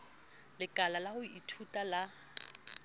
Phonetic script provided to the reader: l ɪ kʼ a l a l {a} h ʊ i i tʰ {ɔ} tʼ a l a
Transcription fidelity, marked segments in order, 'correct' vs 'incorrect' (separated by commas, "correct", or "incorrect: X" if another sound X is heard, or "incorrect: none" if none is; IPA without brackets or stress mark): correct, incorrect: u